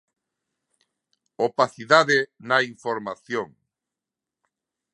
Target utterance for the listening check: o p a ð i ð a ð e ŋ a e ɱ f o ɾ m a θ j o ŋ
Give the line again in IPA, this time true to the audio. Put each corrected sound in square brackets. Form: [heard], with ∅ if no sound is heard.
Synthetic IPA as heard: o p a [θ] i ð a ð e [n] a [i] ɱ f o ɾ m a θ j o ŋ